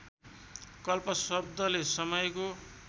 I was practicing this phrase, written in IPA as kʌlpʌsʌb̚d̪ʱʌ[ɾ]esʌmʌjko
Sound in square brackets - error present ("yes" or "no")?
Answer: yes